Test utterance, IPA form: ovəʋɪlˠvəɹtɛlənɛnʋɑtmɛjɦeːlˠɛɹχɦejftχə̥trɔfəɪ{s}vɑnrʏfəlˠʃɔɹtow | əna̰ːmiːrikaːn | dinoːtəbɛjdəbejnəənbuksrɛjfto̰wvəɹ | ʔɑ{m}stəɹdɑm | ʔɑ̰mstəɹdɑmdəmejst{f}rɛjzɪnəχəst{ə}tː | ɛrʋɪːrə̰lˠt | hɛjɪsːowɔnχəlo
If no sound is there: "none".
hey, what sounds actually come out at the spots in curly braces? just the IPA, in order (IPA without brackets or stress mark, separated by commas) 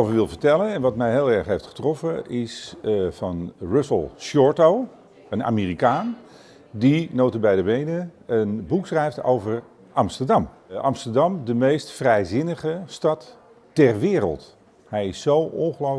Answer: s, m, f, ɑ